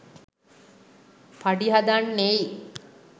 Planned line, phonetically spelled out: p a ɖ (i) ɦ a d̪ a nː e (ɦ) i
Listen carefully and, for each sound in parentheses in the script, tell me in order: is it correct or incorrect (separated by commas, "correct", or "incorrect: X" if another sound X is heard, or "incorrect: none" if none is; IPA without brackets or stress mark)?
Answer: correct, incorrect: none